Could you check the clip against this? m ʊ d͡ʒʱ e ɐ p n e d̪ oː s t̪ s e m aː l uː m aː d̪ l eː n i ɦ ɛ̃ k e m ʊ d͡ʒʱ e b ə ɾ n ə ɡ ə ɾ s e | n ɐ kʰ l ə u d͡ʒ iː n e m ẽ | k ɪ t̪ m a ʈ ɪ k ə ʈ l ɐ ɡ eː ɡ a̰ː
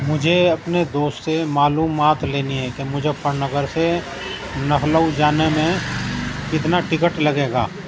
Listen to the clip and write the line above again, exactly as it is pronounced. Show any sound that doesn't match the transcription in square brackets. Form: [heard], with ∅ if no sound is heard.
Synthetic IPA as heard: m ʊ d͡ʒʱ e ɐ p n e d̪ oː s t̪ s e m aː l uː m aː [t̪] l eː n i ɦ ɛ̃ k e m ʊ d͡ʒʱ e [p] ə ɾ n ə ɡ ə ɾ s e | n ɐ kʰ l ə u d͡ʒ [aː] n e m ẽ | k ɪ t̪ [n] a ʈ ɪ k ə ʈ l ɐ ɡ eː ɡ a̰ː